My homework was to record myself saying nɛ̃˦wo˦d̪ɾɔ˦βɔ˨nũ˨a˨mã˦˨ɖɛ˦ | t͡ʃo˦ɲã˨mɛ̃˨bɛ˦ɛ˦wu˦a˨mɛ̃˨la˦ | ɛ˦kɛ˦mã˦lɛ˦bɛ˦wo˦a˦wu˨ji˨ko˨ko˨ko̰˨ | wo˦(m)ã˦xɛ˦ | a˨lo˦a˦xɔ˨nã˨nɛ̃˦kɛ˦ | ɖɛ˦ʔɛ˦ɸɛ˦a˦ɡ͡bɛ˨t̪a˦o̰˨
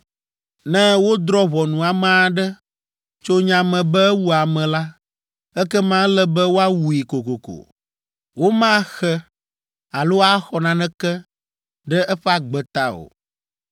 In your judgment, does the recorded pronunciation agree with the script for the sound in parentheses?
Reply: yes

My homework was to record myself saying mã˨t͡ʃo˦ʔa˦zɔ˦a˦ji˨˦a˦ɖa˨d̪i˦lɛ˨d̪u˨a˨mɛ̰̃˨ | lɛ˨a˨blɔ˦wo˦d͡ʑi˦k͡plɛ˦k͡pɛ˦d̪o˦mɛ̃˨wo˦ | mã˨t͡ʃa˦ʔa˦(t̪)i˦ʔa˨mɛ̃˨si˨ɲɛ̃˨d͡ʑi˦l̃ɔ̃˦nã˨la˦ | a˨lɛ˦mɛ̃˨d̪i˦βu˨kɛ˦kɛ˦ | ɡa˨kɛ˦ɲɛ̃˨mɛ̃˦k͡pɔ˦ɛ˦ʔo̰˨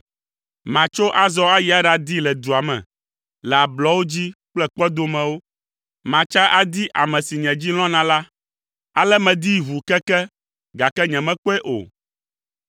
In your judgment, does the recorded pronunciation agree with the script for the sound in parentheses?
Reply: no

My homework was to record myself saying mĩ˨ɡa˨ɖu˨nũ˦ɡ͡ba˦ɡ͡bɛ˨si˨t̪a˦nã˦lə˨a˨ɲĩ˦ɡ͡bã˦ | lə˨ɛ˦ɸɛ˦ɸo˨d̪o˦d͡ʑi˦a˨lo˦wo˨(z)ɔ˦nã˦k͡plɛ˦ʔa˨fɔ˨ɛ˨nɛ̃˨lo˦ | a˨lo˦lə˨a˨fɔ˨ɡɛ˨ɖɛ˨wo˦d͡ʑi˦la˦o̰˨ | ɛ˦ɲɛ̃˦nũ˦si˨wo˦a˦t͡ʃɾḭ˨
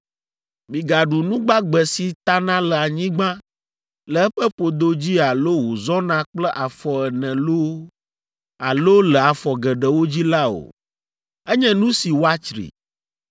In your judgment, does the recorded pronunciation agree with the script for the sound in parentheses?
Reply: yes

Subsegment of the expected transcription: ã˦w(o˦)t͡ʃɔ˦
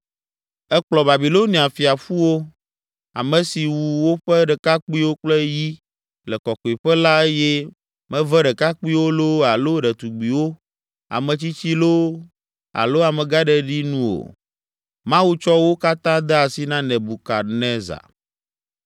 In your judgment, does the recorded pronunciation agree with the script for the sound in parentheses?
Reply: no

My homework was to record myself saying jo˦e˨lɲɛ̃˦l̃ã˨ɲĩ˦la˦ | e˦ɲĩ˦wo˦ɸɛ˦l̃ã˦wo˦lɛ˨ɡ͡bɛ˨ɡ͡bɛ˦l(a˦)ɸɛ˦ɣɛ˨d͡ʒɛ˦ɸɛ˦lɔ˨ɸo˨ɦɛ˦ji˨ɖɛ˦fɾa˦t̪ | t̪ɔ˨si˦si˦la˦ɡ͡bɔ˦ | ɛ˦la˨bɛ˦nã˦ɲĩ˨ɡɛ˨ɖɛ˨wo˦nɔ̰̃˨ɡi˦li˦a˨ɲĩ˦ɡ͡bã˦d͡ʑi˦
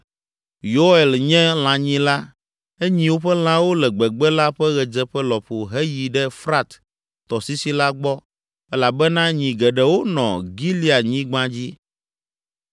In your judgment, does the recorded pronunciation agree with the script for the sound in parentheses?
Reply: yes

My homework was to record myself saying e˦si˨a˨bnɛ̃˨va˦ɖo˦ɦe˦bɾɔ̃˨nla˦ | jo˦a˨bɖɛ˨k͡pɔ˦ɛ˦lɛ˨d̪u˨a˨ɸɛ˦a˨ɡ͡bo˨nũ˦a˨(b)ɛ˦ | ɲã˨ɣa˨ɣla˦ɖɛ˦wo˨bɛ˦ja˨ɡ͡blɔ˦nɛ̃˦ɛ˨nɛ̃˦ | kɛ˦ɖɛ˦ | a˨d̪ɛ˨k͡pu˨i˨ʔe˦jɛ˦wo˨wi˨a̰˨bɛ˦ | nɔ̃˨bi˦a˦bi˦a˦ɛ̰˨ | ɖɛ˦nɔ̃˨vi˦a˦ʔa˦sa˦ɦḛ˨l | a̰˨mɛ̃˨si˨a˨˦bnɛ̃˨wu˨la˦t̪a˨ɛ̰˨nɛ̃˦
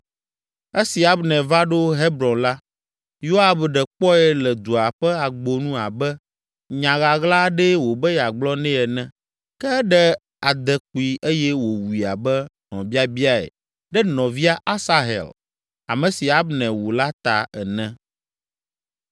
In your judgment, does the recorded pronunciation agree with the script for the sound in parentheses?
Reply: yes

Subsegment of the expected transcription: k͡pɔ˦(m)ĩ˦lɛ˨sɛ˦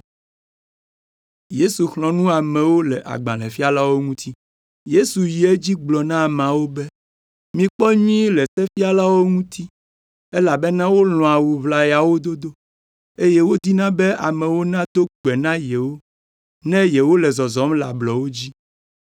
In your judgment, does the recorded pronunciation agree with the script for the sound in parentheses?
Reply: no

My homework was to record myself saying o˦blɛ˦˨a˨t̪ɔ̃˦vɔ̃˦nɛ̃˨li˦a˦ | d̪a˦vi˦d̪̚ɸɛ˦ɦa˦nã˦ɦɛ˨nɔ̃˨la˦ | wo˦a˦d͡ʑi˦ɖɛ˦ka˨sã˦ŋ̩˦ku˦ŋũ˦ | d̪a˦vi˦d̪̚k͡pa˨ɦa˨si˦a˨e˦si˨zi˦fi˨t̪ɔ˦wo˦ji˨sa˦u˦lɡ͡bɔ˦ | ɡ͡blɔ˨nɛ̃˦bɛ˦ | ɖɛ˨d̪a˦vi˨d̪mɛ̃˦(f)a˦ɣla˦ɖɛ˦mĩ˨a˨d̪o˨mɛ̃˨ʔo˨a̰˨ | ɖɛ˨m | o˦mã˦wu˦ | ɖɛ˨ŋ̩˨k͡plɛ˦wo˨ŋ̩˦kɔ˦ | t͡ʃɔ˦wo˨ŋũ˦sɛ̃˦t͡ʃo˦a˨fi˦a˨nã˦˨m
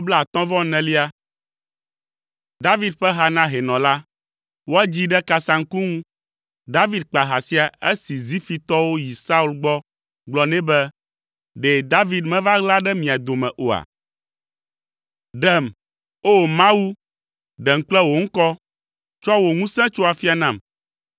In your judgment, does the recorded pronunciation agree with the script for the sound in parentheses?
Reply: no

